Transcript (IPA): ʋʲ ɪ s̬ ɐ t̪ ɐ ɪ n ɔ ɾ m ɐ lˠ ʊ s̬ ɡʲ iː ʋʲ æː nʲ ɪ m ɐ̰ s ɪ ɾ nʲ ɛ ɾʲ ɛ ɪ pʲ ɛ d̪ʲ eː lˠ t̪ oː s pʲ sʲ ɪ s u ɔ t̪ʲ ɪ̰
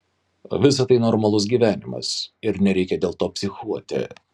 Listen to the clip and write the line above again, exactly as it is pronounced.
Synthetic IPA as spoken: ʋʲ ɪ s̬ ɐ t̪ ɐ ɪ n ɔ ɾ m ɐ lˠ ʊ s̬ ɡʲ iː ʋʲ æː nʲ ɪ m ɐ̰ s ɪ ɾ nʲ ɛ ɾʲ ɛ ɪ kʲ ɛ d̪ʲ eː lˠ t̪ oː pʲ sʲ ɪ x u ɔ t̪ʲ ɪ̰

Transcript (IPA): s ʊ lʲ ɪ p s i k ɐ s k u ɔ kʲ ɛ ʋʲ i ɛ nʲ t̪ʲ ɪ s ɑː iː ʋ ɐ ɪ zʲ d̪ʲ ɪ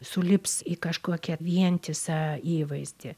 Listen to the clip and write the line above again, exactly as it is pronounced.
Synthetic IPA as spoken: s ʊ lʲ ɪ p s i k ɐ ʃ k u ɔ kʲ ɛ ʋʲ i ɛ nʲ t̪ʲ ɪ s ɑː iː ʋ ɐ ɪ zʲ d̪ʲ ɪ

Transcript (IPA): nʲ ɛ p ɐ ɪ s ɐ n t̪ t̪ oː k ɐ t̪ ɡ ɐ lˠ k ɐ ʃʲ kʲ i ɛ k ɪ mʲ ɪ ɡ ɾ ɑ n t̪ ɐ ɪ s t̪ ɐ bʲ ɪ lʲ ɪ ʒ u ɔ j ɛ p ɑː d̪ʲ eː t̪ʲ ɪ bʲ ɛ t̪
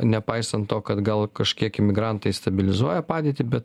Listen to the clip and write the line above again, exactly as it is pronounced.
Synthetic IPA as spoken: nʲ ɛ p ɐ ɪ s ɐ n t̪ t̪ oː k ɐ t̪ ɡ ɐ lˠ k ɐ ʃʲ kʲ i ɛ k ɪ mʲ ɪ ɡ ɾ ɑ n t̪ ɐ ɪ s t̪ ɐ bʲ ɪ lʲ ɪ z u ɔ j ɛ p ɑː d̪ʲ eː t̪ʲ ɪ bʲ ɛ t̪

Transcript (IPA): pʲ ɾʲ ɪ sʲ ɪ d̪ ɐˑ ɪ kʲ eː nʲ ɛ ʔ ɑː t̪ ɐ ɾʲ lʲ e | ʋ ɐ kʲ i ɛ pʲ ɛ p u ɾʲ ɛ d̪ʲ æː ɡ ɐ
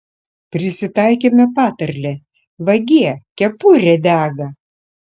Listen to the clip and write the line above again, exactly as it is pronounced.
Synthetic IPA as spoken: pʲ ɾʲ ɪ sʲ ɪ t̪ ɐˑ ɪ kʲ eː mʲ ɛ p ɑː t̪ ɐ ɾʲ lʲ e | ʋ ɐ ɡʲ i ɛ kʲ ɛ p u ɾʲ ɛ d̪ʲ æː ɡ ɐ

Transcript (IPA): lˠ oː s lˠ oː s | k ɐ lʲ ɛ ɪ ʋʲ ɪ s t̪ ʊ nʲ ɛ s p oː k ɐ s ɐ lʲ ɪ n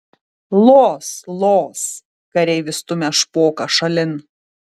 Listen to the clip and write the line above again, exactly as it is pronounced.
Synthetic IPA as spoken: lˠ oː s lˠ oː s | k ɐ ɾʲ ɛ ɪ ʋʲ ɪ s t̪ ʊ mʲ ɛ ʃ p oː k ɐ ʃ ɐ lʲ ɪ n

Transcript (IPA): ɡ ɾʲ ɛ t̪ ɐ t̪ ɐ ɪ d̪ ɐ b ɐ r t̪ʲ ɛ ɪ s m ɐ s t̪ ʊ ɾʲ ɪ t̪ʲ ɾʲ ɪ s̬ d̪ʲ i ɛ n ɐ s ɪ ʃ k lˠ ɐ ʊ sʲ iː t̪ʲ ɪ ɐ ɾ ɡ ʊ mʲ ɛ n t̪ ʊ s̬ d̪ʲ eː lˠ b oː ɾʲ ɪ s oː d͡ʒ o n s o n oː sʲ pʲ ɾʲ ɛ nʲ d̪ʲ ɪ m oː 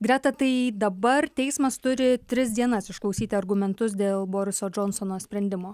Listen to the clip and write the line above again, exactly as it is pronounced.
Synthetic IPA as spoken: ɡ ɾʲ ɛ t̪ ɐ t̪ ɐ ɪ d̪ ɐ b ɐ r t̪ʲ ɛ ɪ s m ɐ s t̪ ʊ ɾʲ ɪ t̪ʲ ɾʲ ɪ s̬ d̪ʲ i ɛ n ɐ s ɪ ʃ k lˠ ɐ ʊ sʲ iː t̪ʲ ɪ ɐ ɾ ɡ ʊ mʲ ɛ n t̪ ʊ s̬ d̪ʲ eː lˠ b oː ɾʲ ɪ s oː d͡ʒ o n s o n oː sʲ pʲ ɾʲ ɛ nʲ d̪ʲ ɪ m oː

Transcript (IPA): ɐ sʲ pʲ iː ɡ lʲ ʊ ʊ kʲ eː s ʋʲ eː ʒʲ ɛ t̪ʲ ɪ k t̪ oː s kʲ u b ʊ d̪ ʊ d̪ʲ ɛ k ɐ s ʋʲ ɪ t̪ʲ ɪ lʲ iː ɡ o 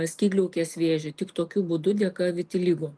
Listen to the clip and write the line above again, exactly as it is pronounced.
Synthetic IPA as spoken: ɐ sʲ kʲ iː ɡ lʲ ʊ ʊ kʲ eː s ʋʲ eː ʒʲ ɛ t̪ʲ ɪ k t̪ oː kʲ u b ʊ d̪ ʊ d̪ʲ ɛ k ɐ ʋʲ ɪ t̪ʲ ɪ lʲ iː ɡ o

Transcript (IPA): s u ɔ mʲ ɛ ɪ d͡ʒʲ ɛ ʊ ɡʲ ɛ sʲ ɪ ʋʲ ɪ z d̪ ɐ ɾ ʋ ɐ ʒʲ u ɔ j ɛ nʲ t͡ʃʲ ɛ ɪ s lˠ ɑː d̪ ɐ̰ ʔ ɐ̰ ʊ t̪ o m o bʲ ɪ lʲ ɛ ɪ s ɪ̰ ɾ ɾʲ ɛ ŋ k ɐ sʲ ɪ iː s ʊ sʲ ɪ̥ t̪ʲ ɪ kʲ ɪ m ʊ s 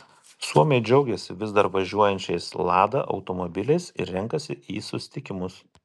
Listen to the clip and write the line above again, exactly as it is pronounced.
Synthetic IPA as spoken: s u ɔ mʲ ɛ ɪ d͡ʒʲ ɛ ʊ ɡʲ ɛ sʲ ɪ ʋʲ ɪ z d̪ ɐ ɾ ʋ ɐ ʒʲ u ɔ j ɛ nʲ t͡ʃʲ ɛ ɪ s lˠ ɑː d̪ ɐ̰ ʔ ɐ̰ ʊ t̪ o m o bʲ ɪ lʲ ɛ ɪ s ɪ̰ ɾ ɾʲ ɛ ŋ k ɐ sʲ ɪ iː s ʊ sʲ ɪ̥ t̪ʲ ɪ kʲ ɪ m ʊ s

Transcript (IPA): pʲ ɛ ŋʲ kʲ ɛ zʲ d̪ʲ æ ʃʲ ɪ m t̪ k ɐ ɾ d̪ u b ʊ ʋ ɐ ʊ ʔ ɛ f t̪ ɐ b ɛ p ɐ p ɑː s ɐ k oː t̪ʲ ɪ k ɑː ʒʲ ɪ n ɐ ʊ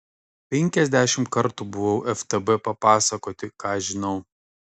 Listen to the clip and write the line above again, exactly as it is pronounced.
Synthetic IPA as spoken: pʲ ɛ ŋʲ kʲ ɛ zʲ d̪ʲ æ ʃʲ ɪ m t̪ k ɐ ɾ t̪ u b ʊ ʋ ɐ ʊ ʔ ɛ f t̪ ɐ b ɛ p ɐ p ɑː s ɐ k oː t̪ʲ ɪ k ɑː ʒʲ ɪ n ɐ ʊ

